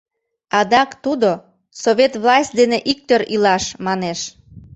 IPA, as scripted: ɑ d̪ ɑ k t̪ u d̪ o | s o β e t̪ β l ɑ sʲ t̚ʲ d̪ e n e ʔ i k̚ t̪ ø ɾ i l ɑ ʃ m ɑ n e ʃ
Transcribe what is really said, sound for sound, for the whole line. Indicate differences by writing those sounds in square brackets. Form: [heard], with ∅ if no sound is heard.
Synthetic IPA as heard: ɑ d̪ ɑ k t̪ u d̪ o | s o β e t̪ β l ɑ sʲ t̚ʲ d̪ e n e ʔ i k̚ t̪ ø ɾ i l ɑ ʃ m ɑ n e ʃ